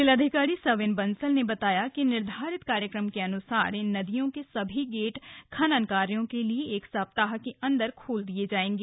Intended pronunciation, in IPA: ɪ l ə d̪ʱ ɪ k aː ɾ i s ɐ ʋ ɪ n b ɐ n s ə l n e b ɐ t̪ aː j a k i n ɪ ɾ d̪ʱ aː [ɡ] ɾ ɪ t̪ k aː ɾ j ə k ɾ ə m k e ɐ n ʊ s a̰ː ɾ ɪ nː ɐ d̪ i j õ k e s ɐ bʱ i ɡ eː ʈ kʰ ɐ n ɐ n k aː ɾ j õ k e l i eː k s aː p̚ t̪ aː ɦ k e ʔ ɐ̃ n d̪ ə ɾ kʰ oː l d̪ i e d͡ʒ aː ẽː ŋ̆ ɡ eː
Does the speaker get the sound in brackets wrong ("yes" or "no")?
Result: yes